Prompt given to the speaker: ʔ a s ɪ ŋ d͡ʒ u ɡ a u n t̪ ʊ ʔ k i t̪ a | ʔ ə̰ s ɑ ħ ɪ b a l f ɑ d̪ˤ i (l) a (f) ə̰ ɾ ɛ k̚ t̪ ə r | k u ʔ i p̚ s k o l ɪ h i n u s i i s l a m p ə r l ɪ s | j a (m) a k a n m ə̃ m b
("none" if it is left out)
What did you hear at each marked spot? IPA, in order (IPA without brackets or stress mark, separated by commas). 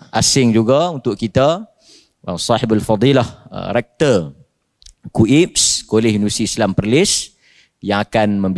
l, h, ŋ